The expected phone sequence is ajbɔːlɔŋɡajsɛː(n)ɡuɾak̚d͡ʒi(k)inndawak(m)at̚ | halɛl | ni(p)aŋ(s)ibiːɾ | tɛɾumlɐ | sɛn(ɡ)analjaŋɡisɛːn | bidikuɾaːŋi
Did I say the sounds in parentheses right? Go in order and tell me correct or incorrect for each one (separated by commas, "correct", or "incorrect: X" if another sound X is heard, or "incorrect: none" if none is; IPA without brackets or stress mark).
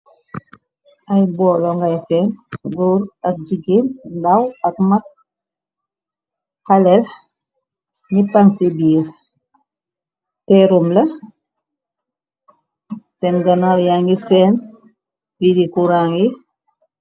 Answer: correct, incorrect: ɡ, correct, correct, correct, correct